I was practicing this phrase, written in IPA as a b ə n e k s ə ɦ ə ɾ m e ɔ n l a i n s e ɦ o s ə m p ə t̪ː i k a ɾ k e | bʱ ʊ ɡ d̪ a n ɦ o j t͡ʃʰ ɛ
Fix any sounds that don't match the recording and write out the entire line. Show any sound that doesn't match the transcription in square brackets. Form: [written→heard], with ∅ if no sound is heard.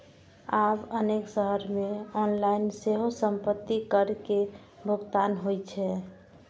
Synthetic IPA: a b ə n e k s ə ɦ ə ɾ m e ɔ n l a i n s e ɦ o s ə m p ə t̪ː i k [a→ə] ɾ k e | bʱ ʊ ɡ [d̪→t̪] a n ɦ o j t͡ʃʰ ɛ

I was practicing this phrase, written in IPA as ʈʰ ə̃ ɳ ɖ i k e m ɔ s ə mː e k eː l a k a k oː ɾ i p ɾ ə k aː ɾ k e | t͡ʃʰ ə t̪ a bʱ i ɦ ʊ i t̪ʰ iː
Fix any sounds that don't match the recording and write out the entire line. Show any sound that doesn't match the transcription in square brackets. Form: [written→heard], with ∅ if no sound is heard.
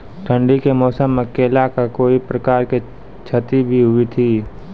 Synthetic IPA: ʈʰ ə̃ ɳ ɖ i k e m [ɔ→ɔː] s ə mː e k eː l a k a k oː [ɾ→∅] i p ɾ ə k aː ɾ k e | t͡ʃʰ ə t̪ [a→i] bʱ i ɦ ʊ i t̪ʰ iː

